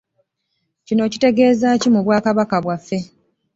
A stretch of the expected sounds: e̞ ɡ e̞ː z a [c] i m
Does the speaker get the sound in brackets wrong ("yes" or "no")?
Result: no